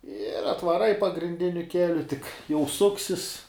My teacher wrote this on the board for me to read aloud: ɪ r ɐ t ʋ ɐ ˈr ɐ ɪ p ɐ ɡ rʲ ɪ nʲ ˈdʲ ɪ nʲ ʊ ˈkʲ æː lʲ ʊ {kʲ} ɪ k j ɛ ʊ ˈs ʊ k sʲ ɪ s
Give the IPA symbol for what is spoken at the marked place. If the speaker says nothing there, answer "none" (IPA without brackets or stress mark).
tʲ